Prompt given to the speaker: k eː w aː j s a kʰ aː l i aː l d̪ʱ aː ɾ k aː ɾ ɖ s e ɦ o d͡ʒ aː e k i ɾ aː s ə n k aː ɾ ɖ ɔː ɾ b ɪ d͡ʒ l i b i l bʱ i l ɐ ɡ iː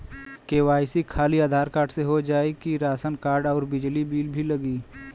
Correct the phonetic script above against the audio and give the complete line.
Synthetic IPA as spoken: k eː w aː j s i kʰ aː l i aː d̪ʱ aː ɾ k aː ɾ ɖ s e ɦ o d͡ʒ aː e k i ɾ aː s ə n k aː ɾ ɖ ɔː ɾ b ɪ d͡ʒ l i b iː l bʱ i l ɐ ɡ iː